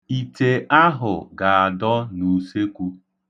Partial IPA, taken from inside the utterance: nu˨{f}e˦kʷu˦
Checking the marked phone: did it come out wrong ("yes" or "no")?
yes